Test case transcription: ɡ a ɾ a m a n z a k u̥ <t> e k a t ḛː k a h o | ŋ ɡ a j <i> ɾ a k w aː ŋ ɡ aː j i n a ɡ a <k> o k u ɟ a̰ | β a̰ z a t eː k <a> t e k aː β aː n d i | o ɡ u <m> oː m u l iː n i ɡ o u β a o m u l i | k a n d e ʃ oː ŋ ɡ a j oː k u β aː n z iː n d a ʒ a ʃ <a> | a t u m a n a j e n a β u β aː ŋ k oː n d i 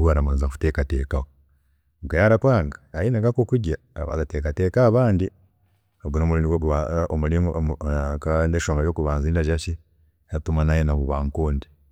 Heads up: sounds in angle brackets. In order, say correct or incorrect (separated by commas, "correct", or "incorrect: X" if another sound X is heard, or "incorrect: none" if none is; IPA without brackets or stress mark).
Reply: correct, incorrect: a, correct, correct, incorrect: n, incorrect: i